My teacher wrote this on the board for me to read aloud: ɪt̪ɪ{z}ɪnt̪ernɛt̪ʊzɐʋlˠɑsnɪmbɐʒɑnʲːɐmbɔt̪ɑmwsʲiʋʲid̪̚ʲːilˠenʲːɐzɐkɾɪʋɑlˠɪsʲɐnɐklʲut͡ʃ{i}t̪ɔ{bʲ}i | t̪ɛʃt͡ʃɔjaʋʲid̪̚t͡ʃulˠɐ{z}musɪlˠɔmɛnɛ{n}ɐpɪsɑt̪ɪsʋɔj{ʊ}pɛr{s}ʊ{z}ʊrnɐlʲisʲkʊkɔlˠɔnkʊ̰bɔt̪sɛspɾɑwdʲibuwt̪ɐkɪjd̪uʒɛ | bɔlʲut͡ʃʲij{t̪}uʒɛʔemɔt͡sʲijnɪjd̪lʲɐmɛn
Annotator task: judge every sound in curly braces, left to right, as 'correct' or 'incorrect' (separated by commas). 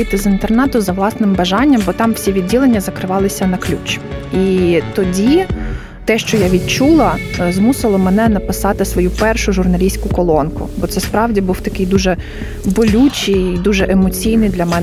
correct, correct, incorrect, correct, correct, incorrect, incorrect, incorrect, incorrect